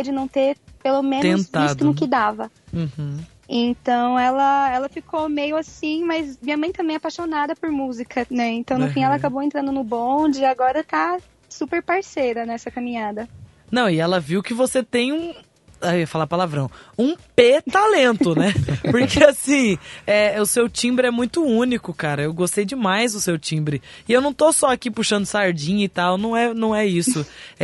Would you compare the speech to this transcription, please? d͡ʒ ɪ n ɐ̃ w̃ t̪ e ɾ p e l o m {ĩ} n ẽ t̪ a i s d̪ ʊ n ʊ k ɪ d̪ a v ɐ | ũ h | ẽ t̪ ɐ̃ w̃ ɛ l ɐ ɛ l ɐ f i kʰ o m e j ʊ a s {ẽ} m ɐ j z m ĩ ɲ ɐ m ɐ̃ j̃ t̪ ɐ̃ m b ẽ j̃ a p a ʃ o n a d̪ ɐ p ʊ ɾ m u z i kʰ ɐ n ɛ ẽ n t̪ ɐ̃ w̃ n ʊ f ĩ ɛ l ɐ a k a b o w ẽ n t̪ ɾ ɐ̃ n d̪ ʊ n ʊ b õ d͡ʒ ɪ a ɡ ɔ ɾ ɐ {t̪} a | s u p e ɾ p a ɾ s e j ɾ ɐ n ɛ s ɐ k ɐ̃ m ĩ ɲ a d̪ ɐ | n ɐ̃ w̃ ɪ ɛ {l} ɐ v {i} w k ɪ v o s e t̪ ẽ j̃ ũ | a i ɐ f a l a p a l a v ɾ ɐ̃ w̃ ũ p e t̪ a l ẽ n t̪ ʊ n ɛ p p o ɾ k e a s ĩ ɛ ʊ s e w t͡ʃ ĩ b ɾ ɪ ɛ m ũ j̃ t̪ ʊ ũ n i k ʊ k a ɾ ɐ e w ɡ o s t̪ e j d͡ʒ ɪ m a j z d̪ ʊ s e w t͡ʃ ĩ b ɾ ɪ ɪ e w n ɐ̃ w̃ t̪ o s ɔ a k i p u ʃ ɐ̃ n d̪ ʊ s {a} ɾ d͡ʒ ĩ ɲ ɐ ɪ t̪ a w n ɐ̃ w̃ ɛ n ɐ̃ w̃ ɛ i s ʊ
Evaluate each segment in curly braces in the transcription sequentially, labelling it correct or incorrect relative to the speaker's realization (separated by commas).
incorrect, incorrect, correct, correct, correct, correct